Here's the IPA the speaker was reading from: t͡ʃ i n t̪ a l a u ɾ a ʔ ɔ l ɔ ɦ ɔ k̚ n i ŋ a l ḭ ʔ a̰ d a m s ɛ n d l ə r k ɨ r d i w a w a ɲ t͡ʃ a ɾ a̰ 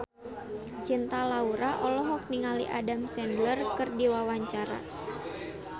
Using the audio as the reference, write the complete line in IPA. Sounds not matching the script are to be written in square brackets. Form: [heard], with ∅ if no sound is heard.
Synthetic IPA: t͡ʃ i n t̪ a l a u ɾ a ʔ ɔ l ɔ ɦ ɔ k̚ n i ŋ a l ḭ ʔ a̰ d a m s ɛ n d l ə r k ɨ r d i w a w a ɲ t͡ʃ a ɾ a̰